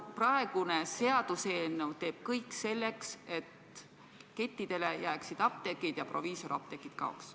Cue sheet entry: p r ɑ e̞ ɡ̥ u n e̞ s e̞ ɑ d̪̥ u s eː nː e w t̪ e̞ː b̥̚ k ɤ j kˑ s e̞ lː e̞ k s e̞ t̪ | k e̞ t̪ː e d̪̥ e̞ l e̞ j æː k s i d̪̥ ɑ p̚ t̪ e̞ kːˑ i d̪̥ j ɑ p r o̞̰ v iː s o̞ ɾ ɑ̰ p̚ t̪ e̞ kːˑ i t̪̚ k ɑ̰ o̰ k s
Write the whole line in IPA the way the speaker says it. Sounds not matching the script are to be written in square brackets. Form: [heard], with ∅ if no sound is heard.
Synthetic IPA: p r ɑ e̞ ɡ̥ u n e̞ s e̞ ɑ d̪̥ u s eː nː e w t̪ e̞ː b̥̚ k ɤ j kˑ s e̞ lː e̞ k s e̞ t̪ | k e̞ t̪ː [i] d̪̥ e̞ l e̞ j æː k s i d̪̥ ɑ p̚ t̪ e̞ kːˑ i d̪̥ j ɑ p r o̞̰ v iː s o̞ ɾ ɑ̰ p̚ t̪ e̞ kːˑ i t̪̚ k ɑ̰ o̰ k s

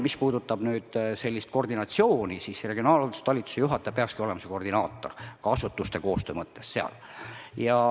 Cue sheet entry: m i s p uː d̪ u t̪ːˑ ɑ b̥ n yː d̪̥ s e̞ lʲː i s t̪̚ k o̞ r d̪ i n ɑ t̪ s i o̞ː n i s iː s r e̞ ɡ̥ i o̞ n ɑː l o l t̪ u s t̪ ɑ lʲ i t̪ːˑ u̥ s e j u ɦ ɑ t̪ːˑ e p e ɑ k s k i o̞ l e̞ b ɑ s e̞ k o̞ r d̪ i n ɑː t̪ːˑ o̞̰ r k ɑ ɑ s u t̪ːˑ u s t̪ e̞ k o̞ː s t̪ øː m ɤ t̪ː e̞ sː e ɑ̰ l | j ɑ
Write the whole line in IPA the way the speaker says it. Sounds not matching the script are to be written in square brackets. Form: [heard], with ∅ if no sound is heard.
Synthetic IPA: m i s p uː d̪ u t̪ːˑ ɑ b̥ n yː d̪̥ s e̞ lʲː i s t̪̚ k o̞ r d̪ i n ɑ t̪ s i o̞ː n i s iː s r e̞ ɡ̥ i o̞ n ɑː l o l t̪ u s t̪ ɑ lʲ i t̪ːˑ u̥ s e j u ɦ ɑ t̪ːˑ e p e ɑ k s k i o̞ l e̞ [m] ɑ s e̞ k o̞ r d̪ i n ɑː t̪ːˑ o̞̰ r k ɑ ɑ s u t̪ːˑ u s t̪ e̞ k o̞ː s t̪ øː m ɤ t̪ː e̞ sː e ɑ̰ l | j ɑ

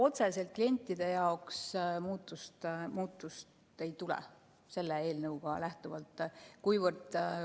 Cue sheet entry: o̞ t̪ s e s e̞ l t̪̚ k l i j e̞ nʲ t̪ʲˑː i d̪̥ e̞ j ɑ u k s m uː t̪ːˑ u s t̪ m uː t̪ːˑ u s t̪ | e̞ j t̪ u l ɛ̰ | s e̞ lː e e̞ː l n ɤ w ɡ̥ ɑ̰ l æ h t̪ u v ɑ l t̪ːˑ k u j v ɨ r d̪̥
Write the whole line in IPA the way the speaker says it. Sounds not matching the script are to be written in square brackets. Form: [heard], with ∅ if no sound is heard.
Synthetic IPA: o̞ t̪ s e s e̞ l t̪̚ k l i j e̞ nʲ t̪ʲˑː i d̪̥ e̞ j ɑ [o] k s m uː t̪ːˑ u s t̪ m uː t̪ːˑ u s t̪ | e̞ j t̪ u l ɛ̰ | s e̞ lː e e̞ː l n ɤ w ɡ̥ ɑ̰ l æ h t̪ u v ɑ l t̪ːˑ k u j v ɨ r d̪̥

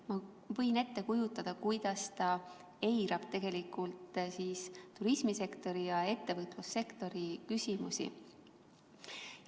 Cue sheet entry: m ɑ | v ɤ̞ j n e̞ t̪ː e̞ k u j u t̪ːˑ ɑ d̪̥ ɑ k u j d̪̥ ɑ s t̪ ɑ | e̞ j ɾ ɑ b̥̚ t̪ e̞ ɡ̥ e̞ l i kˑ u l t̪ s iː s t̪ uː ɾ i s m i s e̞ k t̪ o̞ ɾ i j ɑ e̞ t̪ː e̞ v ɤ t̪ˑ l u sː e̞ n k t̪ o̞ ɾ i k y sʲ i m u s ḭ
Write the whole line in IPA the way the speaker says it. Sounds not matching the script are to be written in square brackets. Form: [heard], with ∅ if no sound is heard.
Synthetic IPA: m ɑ | v ɤ̞ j n e̞ t̪ː e̞ k u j u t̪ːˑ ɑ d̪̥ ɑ k u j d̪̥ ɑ s t̪ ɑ | e̞ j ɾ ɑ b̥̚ t̪ e̞ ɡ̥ e̞ l i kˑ u l t̪ s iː s t̪ [u] ɾ i s m i s e̞ k t̪ o̞ ɾ i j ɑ e̞ t̪ː e̞ v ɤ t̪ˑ l u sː e̞ [∅] k t̪ o̞ ɾ i k y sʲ i m u s ḭ

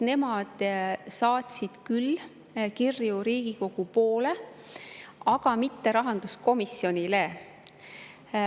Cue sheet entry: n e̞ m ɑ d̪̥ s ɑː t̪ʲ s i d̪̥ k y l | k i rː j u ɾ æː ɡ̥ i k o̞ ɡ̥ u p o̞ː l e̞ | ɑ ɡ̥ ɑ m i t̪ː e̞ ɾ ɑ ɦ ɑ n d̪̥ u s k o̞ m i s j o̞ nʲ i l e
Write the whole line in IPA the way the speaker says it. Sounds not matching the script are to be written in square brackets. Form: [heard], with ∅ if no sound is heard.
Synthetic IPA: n e̞ m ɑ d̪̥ s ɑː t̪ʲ s i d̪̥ k y l | k i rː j u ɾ [iː] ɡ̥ i k o̞ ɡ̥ u p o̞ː l e̞ | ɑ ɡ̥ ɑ m i t̪ː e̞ ɾ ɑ ɦ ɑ n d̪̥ u s k o̞ m i s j o̞ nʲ i l e

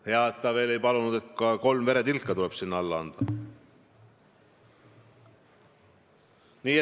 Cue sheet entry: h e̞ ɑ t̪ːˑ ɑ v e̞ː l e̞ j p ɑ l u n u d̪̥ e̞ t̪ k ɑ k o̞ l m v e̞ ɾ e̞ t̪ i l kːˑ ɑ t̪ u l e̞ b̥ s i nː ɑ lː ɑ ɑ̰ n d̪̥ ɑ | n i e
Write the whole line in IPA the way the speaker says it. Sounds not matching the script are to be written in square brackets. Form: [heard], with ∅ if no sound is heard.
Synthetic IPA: h e̞ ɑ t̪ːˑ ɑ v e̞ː l e̞ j p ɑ l u n u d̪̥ e̞ t̪ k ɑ k o̞ l m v e̞ ɾ e̞ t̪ i l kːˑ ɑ t̪ u l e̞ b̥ s i nː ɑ lː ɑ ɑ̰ n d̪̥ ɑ | n [iː] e

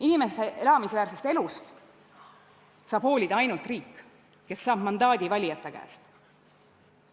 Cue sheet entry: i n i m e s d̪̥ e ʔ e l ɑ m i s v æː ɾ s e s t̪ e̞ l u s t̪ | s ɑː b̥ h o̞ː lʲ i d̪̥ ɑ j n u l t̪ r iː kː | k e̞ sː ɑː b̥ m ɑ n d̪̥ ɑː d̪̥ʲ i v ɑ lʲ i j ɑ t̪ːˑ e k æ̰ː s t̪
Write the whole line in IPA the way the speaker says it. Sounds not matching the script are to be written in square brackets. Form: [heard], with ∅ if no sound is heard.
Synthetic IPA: i n i m e s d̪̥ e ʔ e l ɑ m i s v æː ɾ s e s t̪ e̞ l u s t̪ | s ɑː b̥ h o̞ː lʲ i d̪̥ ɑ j n u l t̪ r iː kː | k e̞ sː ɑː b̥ m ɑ n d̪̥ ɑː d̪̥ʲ i v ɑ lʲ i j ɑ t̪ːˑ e k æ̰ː s t̪

